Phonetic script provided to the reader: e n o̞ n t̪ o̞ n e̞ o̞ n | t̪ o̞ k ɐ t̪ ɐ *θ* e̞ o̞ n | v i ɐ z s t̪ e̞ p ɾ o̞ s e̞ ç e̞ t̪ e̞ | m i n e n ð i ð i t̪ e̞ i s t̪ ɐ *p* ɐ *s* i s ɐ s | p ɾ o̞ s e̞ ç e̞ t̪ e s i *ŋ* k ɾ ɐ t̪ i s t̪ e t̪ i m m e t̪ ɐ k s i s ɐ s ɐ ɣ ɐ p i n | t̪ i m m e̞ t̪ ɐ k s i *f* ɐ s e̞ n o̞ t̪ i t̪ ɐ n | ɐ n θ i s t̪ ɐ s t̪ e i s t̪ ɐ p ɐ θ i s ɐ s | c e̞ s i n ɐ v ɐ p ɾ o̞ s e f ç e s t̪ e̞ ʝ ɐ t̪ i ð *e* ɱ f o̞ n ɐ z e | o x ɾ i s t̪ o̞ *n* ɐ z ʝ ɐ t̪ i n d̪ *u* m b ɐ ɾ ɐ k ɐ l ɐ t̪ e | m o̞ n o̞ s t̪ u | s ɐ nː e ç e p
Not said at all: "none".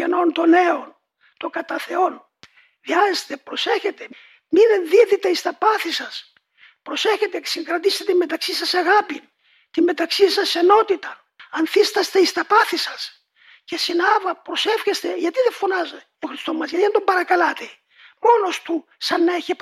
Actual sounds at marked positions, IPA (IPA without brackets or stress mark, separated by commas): θ, p, θ, ŋ, s, e, m, o